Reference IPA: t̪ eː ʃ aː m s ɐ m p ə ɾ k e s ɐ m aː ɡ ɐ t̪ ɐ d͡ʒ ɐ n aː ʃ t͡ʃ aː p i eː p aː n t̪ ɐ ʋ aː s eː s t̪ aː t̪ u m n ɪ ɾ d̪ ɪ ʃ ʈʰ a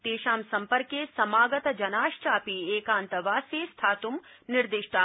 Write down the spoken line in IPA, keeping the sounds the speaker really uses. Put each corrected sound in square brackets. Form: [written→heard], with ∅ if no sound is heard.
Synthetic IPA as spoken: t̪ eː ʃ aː m s ɐ m p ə ɾ k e s ɐ m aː ɡ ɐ t̪ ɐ d͡ʒ ɐ n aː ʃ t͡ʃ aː p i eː [p→k] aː n t̪ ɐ ʋ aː s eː s [t̪→t̪ʰ] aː t̪ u m n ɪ ɾ d̪ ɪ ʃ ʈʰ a

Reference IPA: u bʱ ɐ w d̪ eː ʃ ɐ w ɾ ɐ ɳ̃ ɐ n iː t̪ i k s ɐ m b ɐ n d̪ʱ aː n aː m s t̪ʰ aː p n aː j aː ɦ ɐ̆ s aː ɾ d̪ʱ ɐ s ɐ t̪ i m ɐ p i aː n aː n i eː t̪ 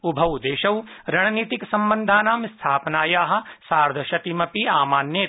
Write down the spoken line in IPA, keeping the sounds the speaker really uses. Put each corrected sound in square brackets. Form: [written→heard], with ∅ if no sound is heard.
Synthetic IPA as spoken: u bʱ ɐ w d̪ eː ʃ ɐ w ɾ ɐ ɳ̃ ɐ n iː t̪ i k s ɐ m b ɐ n d̪ʱ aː n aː m s t̪ʰ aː p n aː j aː ɦ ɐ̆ s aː ɾ d̪ʱ ɐ [s→ʃ] ɐ t̪ i m ɐ p i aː [n→m] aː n [i→j] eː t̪

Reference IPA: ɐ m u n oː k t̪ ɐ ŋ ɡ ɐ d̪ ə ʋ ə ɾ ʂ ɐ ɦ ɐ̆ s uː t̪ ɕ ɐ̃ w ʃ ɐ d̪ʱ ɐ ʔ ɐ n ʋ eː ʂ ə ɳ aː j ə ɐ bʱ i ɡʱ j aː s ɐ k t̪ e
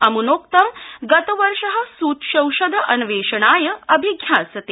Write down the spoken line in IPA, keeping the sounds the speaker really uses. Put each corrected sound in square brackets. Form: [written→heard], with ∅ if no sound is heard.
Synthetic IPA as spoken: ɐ m u n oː k t̪ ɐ [ŋ→m] ɡ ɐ [d̪→t̪] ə ʋ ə ɾ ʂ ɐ ɦ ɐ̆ s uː t̪ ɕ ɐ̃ w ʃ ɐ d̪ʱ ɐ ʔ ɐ n ʋ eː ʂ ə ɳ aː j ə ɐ bʱ i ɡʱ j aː s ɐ [k→∅] t̪ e

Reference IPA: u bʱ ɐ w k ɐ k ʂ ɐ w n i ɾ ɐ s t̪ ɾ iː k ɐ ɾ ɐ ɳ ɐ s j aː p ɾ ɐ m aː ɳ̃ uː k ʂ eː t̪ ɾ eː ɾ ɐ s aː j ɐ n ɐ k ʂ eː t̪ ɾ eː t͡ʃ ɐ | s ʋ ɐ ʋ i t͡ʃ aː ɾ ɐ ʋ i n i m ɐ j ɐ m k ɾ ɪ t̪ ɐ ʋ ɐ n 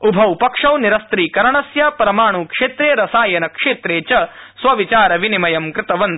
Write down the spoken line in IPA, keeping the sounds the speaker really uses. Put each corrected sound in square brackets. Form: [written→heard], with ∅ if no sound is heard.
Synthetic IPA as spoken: u bʱ ɐ w [k→p] ɐ k ʂ ɐ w n i ɾ ɐ s t̪ ɾ iː k ɐ ɾ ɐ ɳ ɐ s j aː p ɾ ɐ m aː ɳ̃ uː k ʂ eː t̪ ɾ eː ɾ ɐ s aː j ɐ n ɐ k ʂ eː t̪ ɾ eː t͡ʃ ɐ | s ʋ ɐ ʋ i t͡ʃ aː ɾ ɐ ʋ i n i m ɐ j ɐ m k ɾ ɪ t̪ ɐ ʋ ɐ n

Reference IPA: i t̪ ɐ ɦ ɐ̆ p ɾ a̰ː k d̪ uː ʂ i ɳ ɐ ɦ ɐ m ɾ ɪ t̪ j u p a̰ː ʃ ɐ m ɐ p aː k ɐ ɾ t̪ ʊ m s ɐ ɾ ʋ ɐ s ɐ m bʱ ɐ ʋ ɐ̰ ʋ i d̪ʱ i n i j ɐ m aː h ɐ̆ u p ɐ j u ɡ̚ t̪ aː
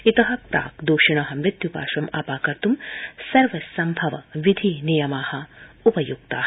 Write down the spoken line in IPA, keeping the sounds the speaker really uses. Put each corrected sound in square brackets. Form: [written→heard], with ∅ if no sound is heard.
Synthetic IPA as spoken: i t̪ ɐ ɦ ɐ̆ p ɾ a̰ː k d̪ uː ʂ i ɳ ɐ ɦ ɐ m ɾ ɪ t̪ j u p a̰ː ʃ ɐ m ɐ p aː k ɐ ɾ t̪ [ʊ→u] m s ɐ ɾ ʋ ɐ s ɐ m bʱ ɐ ʋ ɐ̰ ʋ i d̪ʱ i n i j ɐ m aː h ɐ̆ u p ɐ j u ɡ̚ t̪ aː

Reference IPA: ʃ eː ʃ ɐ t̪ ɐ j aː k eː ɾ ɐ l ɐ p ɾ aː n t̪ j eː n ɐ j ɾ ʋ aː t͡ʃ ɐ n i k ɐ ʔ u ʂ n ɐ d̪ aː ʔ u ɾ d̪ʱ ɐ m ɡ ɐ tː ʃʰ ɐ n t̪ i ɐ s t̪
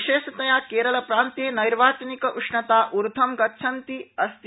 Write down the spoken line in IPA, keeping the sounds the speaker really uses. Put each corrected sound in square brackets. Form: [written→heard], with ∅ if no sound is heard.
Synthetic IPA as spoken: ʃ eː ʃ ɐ t̪ ɐ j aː k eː ɾ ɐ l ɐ p ɾ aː n t̪ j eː n ɐ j ɾ ʋ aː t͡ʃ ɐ n i k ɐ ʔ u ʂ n ɐ [d̪→t̪] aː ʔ u ɾ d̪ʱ ɐ m ɡ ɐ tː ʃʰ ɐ n t̪ i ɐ s t̪

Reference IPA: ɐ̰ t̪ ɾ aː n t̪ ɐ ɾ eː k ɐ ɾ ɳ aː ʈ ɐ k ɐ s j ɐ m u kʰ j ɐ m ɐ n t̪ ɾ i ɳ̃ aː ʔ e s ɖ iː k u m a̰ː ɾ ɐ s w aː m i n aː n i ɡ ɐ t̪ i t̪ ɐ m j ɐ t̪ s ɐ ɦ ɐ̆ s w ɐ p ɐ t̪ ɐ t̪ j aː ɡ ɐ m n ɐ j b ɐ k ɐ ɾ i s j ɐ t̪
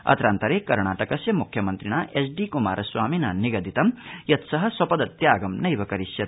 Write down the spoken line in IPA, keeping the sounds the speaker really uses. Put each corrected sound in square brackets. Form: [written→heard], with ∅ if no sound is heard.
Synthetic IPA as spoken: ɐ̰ t̪ ɾ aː n t̪ ɐ ɾ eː k ɐ ɾ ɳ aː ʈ ɐ k ɐ s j ɐ m u kʰ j ɐ m ɐ n t̪ ɾ i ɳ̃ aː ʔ e s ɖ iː k u m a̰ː ɾ ɐ s w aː m i n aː n i ɡ ɐ [t̪→d̪] i t̪ ɐ m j ɐ t̪ s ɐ ɦ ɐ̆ s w ɐ p ɐ [t̪→d̪] ɐ t̪ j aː ɡ ɐ m n ɐ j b ɐ k ɐ ɾ i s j ɐ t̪

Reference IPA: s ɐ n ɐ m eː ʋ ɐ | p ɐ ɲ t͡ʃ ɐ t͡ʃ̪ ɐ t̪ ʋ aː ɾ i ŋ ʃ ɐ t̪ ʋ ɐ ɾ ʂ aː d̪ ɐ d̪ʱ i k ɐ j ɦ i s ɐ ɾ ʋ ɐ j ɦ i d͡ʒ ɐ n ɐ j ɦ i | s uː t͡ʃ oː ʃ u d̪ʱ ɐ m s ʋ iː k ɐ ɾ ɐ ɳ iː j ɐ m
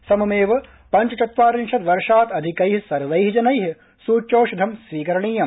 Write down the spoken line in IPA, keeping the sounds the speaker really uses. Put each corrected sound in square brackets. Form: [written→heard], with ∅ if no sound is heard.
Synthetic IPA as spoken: s ɐ [n→m] ɐ m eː ʋ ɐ | p ɐ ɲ t͡ʃ ɐ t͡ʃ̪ ɐ t̪ ʋ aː ɾ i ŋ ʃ ɐ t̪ ʋ ɐ ɾ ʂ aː [d̪→t̪] ɐ d̪ʱ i k ɐ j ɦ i s ɐ ɾ ʋ ɐ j ɦ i d͡ʒ ɐ n ɐ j ɦ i | s uː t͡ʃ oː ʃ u d̪ʱ ɐ m s ʋ iː k ɐ ɾ ɐ ɳ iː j ɐ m

